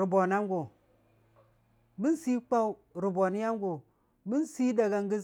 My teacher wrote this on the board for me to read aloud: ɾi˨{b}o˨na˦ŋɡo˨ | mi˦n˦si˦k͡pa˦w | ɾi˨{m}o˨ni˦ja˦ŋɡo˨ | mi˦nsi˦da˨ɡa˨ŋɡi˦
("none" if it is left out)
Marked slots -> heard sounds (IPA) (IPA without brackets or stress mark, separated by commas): b, b